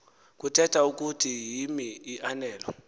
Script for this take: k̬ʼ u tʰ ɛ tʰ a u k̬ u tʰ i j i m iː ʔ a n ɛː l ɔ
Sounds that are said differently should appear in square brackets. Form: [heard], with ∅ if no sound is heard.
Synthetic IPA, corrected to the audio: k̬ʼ u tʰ ɛ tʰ a u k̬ u tʰ i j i m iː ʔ a n ɛː l ɔ